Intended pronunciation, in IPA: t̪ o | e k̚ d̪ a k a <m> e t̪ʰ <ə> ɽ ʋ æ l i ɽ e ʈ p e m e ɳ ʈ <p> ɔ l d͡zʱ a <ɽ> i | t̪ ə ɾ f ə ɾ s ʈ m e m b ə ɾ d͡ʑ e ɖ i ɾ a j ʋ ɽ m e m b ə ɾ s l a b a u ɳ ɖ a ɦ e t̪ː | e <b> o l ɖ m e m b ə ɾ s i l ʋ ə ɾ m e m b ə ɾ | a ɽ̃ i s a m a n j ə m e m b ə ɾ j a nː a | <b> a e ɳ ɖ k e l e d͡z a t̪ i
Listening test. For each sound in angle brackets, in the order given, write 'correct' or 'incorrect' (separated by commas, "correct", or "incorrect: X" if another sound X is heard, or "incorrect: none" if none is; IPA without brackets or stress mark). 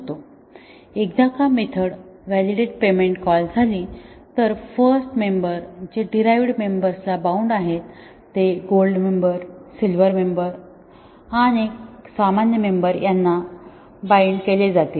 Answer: correct, correct, incorrect: k, incorrect: l, incorrect: ɡ, correct